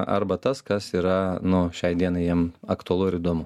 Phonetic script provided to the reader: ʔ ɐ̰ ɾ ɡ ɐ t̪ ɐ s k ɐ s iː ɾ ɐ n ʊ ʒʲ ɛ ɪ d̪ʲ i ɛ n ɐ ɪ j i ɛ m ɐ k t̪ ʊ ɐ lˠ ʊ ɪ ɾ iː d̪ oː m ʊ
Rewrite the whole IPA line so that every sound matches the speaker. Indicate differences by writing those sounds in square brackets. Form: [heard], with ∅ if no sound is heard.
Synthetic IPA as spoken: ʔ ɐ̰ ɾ [b] ɐ t̪ ɐ s k ɐ s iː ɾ ɐ n ʊ [ʃʲ] ɛ ɪ d̪ʲ i ɛ n ɐ ɪ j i ɛ m ɐ k t̪ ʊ ɐ lˠ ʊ ɪ ɾ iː d̪ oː m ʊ